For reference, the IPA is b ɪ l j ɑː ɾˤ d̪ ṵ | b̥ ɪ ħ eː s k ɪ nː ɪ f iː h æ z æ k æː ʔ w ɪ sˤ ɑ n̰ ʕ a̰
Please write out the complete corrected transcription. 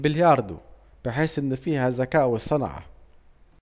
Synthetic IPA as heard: b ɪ l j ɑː ɾˤ d̪ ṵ | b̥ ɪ ħ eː s ʔ ɪ nː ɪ f iː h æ z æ k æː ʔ w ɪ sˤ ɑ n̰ ʕ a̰